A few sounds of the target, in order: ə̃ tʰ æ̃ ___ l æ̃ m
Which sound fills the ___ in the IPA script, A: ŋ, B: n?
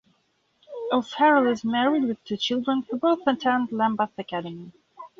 B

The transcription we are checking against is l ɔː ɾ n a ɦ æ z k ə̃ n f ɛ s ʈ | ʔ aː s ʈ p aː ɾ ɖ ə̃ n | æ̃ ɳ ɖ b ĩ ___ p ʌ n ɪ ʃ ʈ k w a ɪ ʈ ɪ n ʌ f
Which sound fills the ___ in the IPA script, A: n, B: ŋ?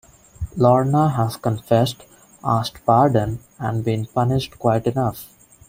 A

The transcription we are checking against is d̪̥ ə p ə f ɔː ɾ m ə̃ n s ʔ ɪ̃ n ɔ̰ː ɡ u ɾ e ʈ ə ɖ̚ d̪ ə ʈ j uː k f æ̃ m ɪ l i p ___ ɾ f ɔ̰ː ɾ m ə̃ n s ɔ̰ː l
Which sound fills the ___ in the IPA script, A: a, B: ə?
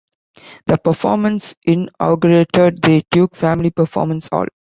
B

